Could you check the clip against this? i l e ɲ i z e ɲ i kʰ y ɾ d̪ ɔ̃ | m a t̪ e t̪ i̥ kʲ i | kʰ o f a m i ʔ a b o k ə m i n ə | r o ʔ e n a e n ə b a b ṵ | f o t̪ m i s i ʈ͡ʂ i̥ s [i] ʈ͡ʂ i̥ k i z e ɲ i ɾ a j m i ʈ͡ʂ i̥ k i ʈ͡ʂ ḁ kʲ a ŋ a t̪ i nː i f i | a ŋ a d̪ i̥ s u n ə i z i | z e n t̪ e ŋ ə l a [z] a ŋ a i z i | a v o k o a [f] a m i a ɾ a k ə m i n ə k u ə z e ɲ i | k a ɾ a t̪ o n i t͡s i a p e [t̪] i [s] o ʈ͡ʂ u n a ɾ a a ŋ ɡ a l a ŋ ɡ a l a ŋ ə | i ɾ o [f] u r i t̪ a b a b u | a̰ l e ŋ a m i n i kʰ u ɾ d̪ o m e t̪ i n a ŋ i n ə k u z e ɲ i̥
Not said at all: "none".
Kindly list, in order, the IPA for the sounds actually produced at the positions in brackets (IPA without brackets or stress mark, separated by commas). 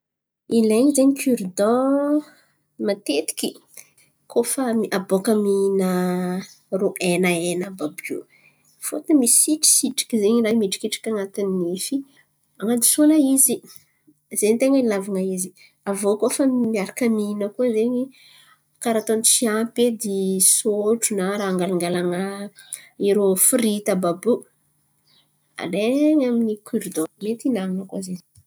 i, v, f, d̪, s, f